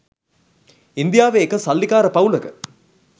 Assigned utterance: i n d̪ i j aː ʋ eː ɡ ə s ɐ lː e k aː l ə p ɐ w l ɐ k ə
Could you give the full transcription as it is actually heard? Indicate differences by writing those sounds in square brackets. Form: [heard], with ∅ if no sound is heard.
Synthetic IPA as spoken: i n d̪ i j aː ʋ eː [k] ə s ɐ lː [i] k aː [ɾ] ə p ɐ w l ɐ k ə